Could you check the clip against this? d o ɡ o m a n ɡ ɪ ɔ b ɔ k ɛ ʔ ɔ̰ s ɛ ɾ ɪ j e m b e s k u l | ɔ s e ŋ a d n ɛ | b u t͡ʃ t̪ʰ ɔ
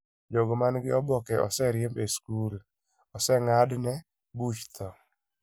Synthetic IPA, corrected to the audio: d͡ʒ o ɡ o m a n ɡ ɪ ɔ b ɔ k ɛ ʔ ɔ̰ s ɛ ɾ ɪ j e m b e s k u l | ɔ s ɛ ŋ a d n ɛ | b u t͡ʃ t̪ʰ ɔ

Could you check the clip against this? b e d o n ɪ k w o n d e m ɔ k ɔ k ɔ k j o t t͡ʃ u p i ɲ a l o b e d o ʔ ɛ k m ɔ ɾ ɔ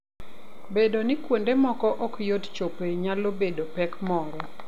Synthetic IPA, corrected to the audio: b e d o n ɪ k w o n d e m ɔ k ɔ ʔ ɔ k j o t t͡ʃ o p e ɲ a l o b e d o p ɛ k m ɔ ɾ ɔ

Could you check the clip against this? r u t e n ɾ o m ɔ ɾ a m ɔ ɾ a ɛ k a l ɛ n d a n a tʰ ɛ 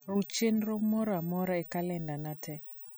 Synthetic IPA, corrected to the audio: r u t͡ʃ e n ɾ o m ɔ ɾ a m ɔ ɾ a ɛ k a l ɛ n d a n a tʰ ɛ

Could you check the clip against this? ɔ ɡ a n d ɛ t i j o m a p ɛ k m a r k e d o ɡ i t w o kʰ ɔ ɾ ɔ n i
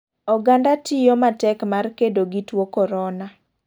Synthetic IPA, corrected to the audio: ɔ ɡ a n d a t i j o m a t ɛ k m a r k e d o ɡ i t w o k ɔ ɾ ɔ n a

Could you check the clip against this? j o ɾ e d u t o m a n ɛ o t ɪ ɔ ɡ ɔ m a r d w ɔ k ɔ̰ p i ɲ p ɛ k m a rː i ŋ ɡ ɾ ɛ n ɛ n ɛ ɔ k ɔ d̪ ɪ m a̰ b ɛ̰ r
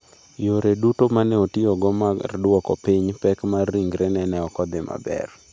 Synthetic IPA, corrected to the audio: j o ɾ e d u t o m a n ɛ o t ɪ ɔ ɡ ɔ m a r d w ɔ k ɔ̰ p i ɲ p ɛ k m a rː i ŋ ɡ ɾ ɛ n ɛ n ɛ ɔ k ɔ d̪ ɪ m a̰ b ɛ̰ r

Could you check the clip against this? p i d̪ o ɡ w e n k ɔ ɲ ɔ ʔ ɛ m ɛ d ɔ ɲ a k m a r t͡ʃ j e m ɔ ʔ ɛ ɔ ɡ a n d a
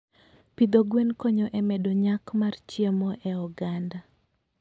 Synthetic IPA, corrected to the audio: p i d̪ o ɡ w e n k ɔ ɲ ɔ ʔ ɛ m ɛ d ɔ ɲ a k m a r t͡ʃ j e m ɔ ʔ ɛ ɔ ɡ a n d a

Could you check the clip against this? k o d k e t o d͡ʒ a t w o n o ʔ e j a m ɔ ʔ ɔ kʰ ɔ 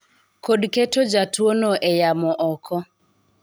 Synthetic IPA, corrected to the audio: k o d k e t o d͡ʒ a t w o n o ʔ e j a m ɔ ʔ ɔ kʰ ɔ

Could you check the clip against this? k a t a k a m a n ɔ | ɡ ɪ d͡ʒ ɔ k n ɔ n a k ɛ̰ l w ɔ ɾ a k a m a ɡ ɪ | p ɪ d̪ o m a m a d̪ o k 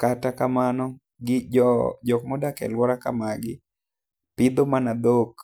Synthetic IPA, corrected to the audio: k a t a k a m a n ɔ | ɡ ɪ d͡ʒ ɔ k m ɔ d a k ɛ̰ l w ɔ ɾ a k a m a ɡ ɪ | p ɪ d̪ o m a n a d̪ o k

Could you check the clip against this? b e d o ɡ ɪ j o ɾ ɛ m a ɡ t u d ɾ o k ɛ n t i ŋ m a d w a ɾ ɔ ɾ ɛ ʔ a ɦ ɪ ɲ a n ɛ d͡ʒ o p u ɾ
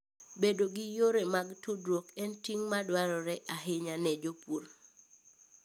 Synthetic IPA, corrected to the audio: b e d o ɡ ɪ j o ɾ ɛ m a ɡ t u d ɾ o k ɛ n t i ŋ m a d w a ɾ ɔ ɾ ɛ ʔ a ɦ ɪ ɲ a n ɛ d͡ʒ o p u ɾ

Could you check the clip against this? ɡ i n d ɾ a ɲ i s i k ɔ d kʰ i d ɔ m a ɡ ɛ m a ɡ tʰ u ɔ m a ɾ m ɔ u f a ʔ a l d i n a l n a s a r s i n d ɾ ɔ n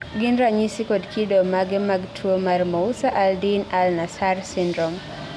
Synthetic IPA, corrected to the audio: ɡ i n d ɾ a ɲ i s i k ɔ d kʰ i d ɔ m a ɡ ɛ m a ɡ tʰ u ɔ m a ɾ m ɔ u s a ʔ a l d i n a l n a s a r s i n d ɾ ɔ m

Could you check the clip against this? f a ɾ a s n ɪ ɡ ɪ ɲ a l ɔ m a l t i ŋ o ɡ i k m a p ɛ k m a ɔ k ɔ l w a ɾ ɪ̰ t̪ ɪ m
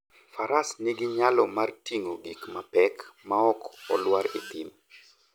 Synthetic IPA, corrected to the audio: f a ɾ a s n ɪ ɡ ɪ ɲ a l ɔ m a r t i ŋ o ɡ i k m a p ɛ k m a ɔ k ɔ l w a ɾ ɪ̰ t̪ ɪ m

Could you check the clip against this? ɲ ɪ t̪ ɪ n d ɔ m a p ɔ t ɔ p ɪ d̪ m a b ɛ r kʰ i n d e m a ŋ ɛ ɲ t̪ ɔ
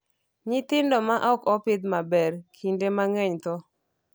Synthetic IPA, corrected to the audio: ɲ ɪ t̪ ɪ n d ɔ m a ʔ ɔ k ɔ p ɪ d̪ m a b ɛ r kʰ i n d e m a ŋ ɛ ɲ t̪ ɔ

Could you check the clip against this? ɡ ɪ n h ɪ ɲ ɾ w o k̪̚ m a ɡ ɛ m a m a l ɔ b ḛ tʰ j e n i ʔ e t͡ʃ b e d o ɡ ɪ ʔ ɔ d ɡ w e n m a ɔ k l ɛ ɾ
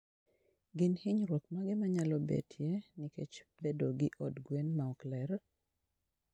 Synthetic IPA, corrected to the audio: ɡ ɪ n h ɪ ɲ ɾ w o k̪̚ m a ɡ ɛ m a ɲ a l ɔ b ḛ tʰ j e n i k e t͡ʃ b e d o ɡ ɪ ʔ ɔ d ɡ w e n m a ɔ k l ɛ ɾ

